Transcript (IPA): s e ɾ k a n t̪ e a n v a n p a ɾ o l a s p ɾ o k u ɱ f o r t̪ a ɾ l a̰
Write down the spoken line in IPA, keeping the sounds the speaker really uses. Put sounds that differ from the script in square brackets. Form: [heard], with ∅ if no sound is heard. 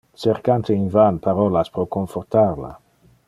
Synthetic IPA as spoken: s e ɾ k a n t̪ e [i] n v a n p a ɾ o l a s p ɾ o k [o] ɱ f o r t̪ a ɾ l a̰